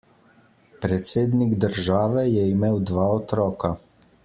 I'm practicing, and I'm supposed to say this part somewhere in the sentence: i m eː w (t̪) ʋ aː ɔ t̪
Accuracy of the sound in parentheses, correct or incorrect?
incorrect